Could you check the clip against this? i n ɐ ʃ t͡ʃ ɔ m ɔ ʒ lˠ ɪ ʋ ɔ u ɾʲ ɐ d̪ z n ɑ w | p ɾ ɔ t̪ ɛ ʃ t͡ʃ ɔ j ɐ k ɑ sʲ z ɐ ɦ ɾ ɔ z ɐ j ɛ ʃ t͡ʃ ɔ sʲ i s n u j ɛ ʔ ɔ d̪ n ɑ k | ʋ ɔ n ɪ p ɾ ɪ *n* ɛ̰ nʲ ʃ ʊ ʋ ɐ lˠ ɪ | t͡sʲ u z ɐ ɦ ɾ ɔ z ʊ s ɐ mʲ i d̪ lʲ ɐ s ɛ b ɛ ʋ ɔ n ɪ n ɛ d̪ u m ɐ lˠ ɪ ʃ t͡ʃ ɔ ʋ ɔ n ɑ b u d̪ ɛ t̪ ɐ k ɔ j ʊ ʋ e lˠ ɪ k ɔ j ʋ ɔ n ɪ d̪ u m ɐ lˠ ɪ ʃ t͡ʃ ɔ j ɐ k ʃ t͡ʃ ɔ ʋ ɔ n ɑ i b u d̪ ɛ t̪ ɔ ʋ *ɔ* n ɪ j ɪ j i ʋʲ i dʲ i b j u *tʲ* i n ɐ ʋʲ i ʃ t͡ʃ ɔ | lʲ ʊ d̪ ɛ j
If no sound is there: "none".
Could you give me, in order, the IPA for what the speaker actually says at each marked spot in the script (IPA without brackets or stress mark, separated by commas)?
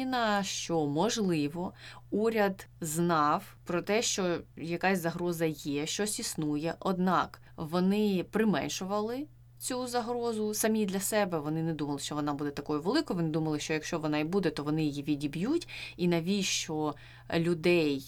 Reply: m, ɔ, tʲ